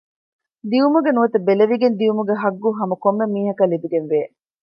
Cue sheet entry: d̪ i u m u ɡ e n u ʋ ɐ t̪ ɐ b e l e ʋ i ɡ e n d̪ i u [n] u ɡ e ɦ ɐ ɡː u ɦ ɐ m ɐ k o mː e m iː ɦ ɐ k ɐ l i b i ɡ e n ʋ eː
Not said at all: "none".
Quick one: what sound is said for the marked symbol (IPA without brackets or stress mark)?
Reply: m